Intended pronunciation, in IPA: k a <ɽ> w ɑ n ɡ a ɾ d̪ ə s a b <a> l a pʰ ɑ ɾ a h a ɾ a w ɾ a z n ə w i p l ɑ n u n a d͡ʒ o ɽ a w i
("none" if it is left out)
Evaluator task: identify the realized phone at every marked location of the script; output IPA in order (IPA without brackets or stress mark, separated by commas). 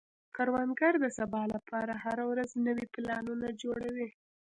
ɾ, ɑ